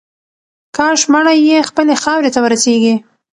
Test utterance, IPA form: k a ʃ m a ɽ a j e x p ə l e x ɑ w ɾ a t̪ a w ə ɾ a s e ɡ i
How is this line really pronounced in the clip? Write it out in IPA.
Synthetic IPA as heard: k ɑ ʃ m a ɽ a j e x p ə l e x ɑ w ɾ e t̪ a w ə ɾ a s e ɡ i